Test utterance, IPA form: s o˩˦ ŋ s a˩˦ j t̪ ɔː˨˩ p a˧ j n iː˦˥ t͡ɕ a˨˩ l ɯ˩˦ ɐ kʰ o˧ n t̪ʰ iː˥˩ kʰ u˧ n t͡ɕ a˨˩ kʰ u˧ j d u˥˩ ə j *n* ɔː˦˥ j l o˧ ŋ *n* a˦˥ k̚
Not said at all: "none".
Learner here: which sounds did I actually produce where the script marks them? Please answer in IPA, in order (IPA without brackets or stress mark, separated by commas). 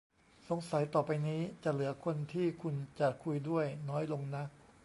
n, n